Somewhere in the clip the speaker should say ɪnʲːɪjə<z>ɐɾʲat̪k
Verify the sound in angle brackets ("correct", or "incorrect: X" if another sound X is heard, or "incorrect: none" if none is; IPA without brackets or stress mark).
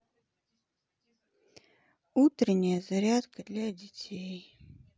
correct